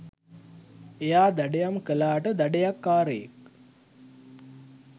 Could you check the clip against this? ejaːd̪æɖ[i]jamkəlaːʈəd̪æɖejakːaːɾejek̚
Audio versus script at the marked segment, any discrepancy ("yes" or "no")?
yes